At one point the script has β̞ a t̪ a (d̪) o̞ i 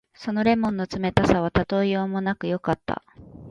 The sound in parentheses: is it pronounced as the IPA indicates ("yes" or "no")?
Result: no